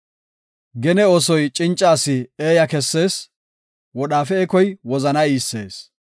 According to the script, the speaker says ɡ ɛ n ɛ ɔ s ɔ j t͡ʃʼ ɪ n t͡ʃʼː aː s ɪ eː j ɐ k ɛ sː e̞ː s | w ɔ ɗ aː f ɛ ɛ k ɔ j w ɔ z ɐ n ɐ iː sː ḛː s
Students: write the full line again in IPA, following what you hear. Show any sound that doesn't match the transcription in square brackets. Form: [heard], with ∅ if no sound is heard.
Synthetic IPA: ɡ ɛ n ɛ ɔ s ɔ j t͡ʃʼ ɪ n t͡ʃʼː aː s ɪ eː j ɐ k ɛ sː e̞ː s | w ɔ ɗ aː f ɛ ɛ k ɔ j w ɔ z ɐ n ɐ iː sː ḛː s